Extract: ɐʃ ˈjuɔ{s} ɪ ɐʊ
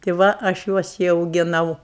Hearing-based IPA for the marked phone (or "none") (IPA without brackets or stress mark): s